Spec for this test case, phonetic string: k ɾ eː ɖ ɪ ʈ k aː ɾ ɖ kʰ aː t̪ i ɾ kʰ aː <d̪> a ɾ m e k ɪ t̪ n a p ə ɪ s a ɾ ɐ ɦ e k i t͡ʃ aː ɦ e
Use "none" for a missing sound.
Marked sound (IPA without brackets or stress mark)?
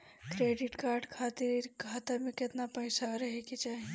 t̪